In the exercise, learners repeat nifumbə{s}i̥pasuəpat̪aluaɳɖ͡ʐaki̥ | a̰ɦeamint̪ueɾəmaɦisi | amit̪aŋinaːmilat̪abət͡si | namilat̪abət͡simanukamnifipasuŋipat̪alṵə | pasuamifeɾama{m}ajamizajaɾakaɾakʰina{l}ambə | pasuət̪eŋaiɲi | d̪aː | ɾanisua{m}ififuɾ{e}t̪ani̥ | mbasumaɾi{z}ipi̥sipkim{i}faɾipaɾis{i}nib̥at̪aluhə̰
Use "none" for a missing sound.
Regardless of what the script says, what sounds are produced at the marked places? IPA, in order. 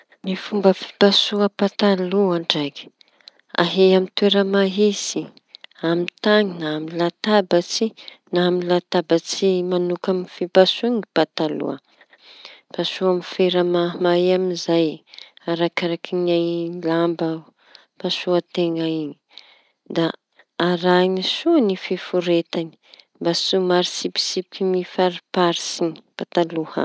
f, m, l, n, e, s, i, i

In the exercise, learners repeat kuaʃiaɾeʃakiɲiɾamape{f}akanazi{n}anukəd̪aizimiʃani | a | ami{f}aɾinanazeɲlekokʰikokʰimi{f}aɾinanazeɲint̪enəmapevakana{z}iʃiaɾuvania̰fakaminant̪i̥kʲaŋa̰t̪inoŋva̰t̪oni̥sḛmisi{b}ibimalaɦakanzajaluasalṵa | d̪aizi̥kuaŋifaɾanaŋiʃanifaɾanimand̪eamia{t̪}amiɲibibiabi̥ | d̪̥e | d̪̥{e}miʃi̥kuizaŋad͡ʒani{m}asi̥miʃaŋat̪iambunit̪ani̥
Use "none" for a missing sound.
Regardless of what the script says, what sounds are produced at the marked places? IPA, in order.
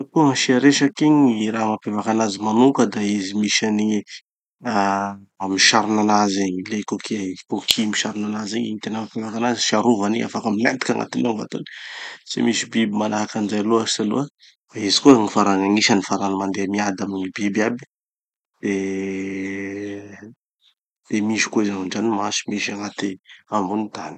v, m, ʃ, ʃ, z, b, d̪, e, m

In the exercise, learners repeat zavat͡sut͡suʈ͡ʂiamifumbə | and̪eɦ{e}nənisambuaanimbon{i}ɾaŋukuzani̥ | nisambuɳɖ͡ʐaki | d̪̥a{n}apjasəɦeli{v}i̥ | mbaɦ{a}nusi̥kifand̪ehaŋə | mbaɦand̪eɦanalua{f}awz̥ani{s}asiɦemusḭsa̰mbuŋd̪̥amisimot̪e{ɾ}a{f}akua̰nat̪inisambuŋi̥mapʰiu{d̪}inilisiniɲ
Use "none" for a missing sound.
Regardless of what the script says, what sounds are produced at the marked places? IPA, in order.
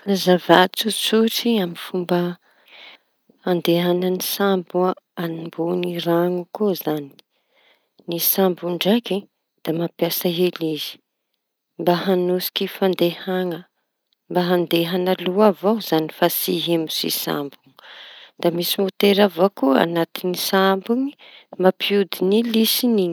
a, i, m, z, a, v, f, ɾ, v, d̪

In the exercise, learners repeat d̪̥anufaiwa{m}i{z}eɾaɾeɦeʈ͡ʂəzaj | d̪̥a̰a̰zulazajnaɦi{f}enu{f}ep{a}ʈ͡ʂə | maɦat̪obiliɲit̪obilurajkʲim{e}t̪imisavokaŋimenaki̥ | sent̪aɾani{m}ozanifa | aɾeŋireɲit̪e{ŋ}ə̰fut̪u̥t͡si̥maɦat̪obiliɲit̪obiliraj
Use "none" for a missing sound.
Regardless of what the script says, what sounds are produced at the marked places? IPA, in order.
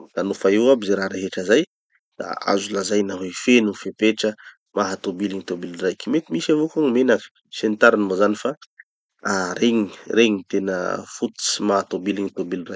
b, z, f, f, e, e, m, n

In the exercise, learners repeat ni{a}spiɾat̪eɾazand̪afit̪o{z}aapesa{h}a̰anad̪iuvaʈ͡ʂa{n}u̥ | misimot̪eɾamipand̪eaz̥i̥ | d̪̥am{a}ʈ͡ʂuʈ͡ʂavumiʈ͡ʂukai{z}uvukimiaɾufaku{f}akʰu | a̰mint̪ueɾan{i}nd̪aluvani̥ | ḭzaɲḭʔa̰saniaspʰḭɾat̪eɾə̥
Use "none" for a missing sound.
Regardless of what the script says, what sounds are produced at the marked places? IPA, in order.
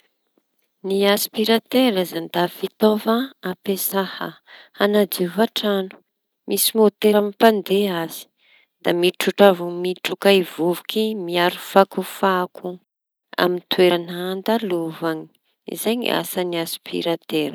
a, v, h, n, i, v, f, a

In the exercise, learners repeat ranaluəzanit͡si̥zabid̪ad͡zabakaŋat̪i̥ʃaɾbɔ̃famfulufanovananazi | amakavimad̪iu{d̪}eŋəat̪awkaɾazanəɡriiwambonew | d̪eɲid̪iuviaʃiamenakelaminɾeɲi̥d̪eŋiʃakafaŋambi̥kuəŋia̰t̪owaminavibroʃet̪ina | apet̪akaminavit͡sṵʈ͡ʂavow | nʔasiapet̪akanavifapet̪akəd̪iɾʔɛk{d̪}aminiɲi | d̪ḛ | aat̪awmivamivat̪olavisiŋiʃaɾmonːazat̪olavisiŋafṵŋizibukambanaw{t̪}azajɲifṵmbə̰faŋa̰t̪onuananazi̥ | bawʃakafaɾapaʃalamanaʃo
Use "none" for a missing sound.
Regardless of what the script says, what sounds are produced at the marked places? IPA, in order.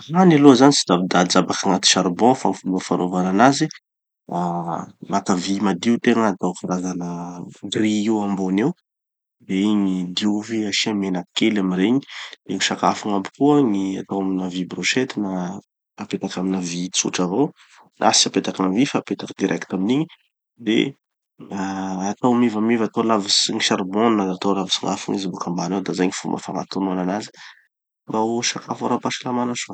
t̪, t̪, d̪

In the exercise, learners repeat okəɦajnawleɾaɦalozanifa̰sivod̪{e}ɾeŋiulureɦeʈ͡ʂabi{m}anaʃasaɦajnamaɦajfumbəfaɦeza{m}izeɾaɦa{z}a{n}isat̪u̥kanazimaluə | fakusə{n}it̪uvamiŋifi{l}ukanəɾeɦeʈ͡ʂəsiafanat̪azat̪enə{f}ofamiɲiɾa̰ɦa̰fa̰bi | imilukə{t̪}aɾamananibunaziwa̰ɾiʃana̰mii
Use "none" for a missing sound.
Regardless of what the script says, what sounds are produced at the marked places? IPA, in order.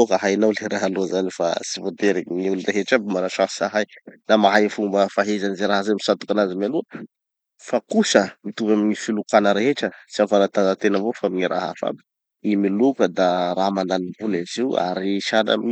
e, m, n, z, m, m, l, v, d̪

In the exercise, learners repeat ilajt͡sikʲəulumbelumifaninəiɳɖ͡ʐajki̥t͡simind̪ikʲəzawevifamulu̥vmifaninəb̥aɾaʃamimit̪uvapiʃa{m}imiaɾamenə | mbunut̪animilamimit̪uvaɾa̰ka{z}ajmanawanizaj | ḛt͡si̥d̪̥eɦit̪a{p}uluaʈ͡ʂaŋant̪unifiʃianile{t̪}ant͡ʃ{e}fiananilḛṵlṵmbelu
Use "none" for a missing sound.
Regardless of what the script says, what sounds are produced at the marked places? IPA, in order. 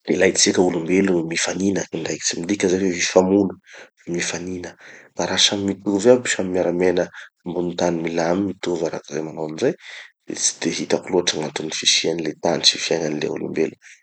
m, z, k, t̪, i

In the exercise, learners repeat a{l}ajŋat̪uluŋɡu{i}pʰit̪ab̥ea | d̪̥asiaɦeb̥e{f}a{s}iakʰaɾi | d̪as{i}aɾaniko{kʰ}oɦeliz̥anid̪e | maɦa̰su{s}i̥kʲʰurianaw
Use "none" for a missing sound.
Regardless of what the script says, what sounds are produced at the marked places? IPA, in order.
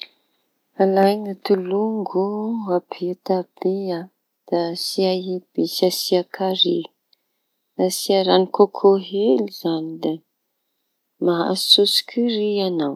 l, a, s, s, i, kʰ, s

